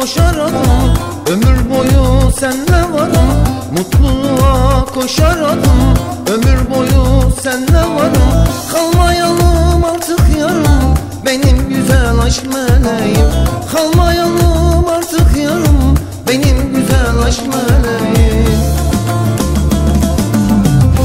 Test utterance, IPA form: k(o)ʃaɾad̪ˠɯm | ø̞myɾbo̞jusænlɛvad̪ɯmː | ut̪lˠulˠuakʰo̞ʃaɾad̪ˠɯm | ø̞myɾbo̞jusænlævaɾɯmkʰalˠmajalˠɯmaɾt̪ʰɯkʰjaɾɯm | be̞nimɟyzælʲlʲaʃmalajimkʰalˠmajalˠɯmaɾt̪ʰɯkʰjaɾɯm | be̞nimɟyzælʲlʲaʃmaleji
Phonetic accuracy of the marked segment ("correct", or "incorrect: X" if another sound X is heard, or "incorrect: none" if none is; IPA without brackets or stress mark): correct